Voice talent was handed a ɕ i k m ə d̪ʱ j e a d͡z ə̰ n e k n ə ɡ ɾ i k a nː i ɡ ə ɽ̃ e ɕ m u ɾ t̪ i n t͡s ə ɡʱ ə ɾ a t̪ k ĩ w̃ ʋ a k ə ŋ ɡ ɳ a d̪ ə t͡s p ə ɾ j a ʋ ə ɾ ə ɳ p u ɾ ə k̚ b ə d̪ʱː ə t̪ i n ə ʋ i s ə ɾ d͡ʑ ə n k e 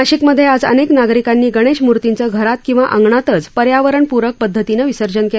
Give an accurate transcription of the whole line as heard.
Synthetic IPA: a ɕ i k m ə d̪ʱ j e a d͡z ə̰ n e k n a ɡ ɾ i k a nː iː ɡ ə ɽ̃ e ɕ m u ɾ t̪ i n t͡s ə ɡʱ ə ɾ a t̪ k ĩ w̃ ʋ a ʔ ə ŋ ɡ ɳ a t̪ ə t͡s p ə ɾ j a ʋ ə ɾ ə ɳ p u ɾ ə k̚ p ə d̪ʱː ə t̪ i n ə ʋ i s ə ɾ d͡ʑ ə n k e